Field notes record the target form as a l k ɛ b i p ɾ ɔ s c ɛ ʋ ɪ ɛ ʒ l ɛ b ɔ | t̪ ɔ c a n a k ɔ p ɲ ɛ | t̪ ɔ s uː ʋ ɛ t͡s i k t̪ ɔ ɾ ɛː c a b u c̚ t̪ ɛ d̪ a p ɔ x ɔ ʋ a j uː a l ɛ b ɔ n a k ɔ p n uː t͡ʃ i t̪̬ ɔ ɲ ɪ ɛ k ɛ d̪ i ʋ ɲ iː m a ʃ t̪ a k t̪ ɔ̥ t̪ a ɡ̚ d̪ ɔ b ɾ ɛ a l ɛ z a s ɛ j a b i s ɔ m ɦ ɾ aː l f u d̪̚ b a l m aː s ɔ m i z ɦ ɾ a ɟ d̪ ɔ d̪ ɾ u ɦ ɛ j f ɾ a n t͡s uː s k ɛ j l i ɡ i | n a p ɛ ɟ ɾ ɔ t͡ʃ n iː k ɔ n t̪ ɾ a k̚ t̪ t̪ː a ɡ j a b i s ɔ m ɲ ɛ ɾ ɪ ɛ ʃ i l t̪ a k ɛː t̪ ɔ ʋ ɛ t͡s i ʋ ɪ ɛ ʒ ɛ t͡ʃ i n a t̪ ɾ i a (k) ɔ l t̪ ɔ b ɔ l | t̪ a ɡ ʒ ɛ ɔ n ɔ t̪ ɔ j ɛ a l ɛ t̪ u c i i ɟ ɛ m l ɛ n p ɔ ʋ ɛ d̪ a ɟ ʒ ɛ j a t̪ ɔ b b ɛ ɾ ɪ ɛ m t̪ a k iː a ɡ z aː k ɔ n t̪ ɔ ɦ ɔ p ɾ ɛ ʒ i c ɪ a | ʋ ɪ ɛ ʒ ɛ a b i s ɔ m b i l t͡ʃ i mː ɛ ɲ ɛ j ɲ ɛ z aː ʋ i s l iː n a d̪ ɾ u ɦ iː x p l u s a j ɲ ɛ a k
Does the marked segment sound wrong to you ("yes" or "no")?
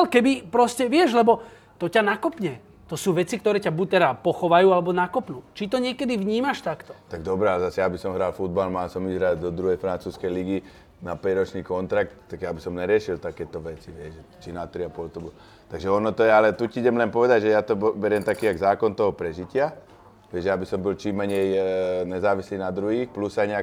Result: yes